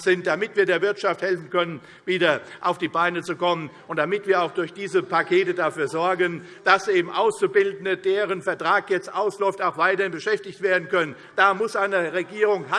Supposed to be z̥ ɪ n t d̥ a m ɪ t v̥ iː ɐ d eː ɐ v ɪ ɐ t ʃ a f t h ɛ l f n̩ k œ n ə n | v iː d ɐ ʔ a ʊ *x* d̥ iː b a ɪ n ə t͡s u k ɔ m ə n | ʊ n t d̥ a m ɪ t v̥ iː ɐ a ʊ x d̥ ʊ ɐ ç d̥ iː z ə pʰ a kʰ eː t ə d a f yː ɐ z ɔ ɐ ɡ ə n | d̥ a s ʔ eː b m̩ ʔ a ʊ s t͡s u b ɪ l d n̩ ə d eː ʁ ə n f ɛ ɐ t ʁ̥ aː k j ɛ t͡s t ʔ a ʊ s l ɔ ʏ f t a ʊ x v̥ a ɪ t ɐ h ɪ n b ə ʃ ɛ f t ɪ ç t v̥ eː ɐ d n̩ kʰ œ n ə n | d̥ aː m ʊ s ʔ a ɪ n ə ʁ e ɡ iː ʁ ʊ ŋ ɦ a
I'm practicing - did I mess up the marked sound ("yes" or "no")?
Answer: yes